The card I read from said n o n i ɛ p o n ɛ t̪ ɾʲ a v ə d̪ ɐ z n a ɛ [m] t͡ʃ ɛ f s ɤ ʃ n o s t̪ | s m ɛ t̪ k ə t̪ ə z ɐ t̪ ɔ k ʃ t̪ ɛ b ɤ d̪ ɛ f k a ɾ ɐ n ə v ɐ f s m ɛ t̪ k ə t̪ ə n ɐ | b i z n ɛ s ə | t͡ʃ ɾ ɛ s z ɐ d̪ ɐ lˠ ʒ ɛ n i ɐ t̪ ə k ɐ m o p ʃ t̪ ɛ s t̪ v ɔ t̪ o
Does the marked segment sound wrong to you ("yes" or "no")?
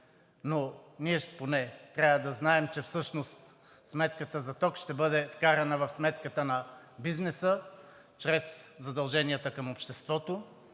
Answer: no